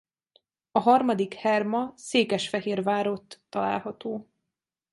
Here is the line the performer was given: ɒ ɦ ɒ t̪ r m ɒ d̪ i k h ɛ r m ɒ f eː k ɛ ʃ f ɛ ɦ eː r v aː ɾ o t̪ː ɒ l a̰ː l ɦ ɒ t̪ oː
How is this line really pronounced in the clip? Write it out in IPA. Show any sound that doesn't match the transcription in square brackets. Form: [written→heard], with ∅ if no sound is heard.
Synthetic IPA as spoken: ɒ ɦ ɒ [t̪→∅] r m ɒ d̪ i k h ɛ r m ɒ [f→s] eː k ɛ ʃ f ɛ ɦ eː r v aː ɾ o t̪ː ɒ l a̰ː l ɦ ɒ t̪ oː